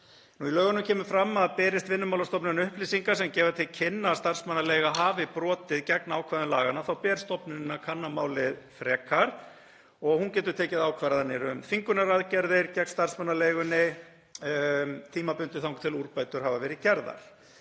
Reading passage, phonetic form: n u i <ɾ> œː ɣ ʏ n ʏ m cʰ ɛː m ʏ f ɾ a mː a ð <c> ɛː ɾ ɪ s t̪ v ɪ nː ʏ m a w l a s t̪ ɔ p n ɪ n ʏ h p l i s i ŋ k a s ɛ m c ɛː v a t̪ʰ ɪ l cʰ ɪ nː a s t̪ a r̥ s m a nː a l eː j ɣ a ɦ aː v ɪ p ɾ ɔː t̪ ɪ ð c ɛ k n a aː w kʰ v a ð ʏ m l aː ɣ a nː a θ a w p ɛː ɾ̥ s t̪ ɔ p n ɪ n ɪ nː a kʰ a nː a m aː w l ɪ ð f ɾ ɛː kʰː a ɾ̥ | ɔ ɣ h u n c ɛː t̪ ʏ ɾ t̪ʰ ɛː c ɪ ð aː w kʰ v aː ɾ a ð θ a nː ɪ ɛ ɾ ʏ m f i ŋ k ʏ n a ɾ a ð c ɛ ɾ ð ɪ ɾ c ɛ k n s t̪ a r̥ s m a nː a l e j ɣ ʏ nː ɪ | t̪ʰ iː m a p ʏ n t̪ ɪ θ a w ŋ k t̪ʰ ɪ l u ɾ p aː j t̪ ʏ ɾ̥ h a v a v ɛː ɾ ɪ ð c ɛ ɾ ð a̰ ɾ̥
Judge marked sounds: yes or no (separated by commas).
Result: no, no